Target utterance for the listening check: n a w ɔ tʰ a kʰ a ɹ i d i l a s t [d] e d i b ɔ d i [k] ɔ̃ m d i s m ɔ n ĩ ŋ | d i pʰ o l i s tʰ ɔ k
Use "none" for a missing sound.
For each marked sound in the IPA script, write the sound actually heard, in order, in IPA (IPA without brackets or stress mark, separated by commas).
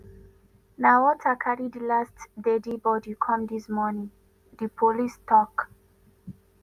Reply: d, kʰ